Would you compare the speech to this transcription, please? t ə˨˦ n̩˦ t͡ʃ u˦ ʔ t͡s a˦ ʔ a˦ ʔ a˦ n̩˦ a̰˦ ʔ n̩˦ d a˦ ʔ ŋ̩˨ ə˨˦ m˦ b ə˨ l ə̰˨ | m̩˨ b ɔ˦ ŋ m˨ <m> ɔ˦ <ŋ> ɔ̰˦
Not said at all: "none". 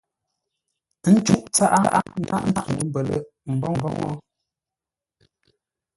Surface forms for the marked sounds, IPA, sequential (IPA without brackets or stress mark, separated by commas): b, ŋ